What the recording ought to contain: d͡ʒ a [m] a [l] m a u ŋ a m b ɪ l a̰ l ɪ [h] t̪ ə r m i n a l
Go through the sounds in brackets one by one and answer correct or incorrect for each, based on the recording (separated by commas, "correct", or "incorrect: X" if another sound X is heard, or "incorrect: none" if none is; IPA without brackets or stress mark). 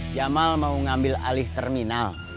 correct, correct, correct